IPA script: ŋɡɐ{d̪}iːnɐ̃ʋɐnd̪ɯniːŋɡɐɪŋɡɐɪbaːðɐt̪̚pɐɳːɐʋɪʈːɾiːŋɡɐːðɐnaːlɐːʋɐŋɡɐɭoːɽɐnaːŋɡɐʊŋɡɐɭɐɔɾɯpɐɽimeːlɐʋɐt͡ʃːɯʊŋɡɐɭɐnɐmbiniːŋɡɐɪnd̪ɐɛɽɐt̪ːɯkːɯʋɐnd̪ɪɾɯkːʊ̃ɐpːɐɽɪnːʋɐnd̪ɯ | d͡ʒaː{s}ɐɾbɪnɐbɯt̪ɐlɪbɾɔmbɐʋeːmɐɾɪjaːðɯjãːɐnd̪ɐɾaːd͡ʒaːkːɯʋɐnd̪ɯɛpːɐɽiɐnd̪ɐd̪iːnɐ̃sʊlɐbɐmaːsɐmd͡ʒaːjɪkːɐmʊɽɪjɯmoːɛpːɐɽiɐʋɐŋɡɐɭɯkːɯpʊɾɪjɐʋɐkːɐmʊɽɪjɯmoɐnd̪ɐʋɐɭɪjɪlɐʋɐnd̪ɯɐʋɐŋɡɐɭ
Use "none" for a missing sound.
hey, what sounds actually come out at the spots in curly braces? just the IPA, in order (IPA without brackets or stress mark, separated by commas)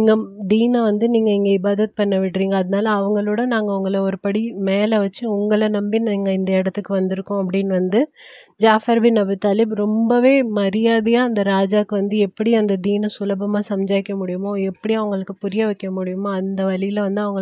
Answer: d̪, f